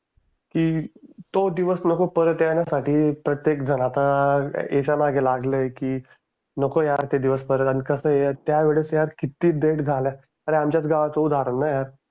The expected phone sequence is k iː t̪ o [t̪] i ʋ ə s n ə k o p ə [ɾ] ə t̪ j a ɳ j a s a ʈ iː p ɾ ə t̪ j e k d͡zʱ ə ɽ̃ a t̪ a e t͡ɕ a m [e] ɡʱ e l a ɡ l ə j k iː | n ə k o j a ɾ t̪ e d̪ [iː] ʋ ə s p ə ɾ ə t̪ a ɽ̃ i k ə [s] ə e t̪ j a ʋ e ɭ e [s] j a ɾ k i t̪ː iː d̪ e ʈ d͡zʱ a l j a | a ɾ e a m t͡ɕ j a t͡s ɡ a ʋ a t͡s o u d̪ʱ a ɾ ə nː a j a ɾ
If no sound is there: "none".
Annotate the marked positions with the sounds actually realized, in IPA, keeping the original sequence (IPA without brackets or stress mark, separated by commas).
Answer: d̪, ɾ, a, i, s, s